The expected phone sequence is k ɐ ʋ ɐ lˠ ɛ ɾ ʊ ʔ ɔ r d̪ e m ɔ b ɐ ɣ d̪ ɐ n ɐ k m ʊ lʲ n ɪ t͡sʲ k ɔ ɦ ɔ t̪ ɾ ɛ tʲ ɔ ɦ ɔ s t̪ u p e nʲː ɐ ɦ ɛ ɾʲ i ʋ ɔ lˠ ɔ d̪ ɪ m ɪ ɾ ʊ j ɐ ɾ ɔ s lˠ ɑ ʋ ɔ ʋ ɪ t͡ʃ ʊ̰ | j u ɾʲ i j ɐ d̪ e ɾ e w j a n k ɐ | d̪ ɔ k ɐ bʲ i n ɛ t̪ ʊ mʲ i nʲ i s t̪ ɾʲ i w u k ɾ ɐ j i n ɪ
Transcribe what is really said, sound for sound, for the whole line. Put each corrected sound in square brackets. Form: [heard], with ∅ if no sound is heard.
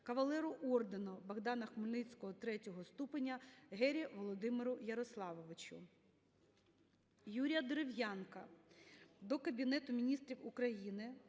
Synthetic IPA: k ɐ ʋ ɐ lˠ ɛ ɾ ʊ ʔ ɔ r d̪ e [n] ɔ b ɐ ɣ d̪ [ɑ] n ɐ [x] m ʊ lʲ n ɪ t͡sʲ k ɔ ɦ ɔ t̪ ɾ ɛ tʲ ɔ ɦ ɔ s t̪ u p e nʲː ɐ ɦ ɛ ɾʲ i ʋ ɔ lˠ ɔ d̪ ɪ m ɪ ɾ ʊ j ɐ ɾ ɔ s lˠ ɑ ʋ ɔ ʋ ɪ t͡ʃ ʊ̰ | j u ɾʲ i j ɐ d̪ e ɾ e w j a n k ɐ | d̪ ɔ k ɐ bʲ i n ɛ t̪ ʊ mʲ i nʲ i s t̪ ɾʲ i w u k ɾ ɐ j i n ɪ